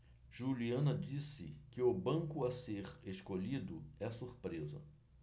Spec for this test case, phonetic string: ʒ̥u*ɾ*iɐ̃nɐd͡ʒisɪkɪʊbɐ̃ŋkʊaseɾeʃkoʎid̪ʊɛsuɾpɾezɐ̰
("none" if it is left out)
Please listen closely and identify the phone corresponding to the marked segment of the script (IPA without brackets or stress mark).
l